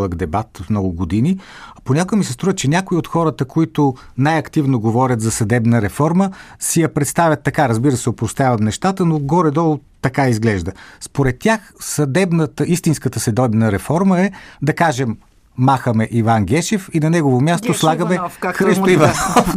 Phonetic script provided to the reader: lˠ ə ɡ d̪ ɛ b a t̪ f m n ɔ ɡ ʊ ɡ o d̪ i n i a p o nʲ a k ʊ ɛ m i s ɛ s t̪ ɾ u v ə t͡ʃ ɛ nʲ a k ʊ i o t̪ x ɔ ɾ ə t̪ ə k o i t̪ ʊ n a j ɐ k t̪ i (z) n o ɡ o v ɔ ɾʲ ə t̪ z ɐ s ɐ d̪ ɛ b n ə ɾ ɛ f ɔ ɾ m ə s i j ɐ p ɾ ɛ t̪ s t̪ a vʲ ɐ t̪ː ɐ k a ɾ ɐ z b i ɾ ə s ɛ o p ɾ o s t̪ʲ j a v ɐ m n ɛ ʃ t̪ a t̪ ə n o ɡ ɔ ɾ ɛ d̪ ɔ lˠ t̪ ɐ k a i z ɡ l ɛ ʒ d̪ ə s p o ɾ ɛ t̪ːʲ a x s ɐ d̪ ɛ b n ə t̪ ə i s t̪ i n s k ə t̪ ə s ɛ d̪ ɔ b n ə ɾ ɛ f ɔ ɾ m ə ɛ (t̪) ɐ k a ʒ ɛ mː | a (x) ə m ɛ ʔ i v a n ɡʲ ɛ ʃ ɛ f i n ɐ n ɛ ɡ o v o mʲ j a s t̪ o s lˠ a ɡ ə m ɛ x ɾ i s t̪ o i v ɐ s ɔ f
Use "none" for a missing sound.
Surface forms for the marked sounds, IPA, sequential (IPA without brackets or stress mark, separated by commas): v, d̪, x